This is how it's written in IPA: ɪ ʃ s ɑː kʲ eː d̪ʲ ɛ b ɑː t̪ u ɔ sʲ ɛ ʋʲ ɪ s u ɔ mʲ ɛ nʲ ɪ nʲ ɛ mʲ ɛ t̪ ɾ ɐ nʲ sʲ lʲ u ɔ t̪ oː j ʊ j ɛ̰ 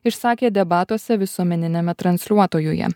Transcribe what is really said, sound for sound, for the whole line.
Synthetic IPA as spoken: ɪ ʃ s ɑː kʲ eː d̪ʲ ɛ b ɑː t̪ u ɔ sʲ ɛ ʋʲ ɪ s u ɔ mʲ ɛ nʲ ɪ nʲ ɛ mʲ ɛ t̪ ɾ ɐ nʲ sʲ lʲ u ɔ t̪ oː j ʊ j ɛ̰

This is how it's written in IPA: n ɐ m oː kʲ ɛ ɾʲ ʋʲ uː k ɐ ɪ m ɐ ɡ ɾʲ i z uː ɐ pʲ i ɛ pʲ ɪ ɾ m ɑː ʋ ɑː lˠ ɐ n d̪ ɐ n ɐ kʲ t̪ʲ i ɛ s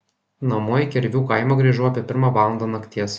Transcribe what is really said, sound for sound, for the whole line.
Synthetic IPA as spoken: n ɐ m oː kʲ ɛ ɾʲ ʋʲ uː k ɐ ɪ m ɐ ɡ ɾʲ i ʒ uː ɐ pʲ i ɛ pʲ ɪ ɾ m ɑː ʋ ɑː lˠ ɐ n d̪ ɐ n ɐ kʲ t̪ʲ i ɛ s

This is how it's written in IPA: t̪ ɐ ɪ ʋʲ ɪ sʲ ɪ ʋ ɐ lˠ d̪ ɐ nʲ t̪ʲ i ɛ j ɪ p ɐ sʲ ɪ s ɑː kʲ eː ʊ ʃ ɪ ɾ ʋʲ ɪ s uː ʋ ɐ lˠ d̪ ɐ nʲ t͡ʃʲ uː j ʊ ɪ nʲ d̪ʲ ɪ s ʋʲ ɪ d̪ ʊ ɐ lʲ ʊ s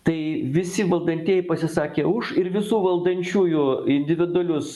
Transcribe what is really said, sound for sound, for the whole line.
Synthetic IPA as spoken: t̪ ɐ ɪ ʋʲ ɪ sʲ ɪ ʋ ɐ lˠ d̪ ɐ nʲ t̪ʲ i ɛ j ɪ p ɐ sʲ ɪ s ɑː kʲ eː ʊ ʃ ɪ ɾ ʋʲ ɪ s uː ʋ ɐ lˠ d̪ ɐ nʲ t͡ʃʲ uː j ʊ ɪ nʲ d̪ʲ ɪ ʋʲ ɪ d̪ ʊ ɐ lʲ ʊ s

